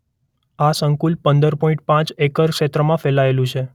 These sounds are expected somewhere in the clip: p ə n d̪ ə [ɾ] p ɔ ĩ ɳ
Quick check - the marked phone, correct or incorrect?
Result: correct